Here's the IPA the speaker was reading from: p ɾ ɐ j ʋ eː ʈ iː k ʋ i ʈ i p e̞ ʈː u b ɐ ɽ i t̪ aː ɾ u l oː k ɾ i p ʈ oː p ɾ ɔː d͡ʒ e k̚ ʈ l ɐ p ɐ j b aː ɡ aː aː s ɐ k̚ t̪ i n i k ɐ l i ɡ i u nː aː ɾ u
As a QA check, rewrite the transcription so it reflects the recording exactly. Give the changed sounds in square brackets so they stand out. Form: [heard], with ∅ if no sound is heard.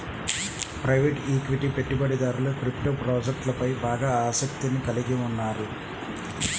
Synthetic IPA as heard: p ɾ ɐ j ʋ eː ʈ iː k ʋ i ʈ i p e̞ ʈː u b ɐ ɽ i [d̪] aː ɾ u l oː k ɾ i p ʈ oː p ɾ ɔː d͡ʒ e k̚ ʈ l ɐ p ɐ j b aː ɡ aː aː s ɐ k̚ t̪ i n i k ɐ l i ɡ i u nː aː ɾ u